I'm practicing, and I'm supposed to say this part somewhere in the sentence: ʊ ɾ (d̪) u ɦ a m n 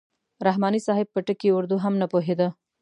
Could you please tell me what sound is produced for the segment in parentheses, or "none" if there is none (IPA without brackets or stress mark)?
d̪